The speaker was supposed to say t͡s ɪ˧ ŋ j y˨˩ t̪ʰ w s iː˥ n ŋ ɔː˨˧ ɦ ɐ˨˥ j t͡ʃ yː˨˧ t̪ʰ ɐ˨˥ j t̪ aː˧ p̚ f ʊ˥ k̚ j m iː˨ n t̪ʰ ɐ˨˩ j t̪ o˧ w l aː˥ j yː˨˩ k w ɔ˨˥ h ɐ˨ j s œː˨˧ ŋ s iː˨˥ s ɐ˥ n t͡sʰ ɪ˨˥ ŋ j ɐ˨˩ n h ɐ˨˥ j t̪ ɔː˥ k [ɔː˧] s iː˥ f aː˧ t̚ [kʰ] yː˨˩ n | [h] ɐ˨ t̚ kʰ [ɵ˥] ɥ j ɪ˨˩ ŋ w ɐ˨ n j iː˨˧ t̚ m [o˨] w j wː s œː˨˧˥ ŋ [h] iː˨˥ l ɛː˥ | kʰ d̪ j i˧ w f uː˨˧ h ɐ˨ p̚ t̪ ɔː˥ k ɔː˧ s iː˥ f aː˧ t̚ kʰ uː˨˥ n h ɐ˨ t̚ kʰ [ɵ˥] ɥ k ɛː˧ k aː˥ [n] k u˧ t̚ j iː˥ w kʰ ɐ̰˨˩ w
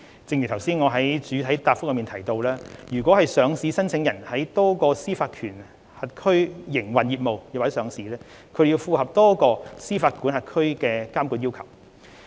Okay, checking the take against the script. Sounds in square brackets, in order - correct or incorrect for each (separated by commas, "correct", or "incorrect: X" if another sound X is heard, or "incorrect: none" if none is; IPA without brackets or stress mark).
correct, correct, correct, correct, correct, incorrect: s, correct, incorrect: m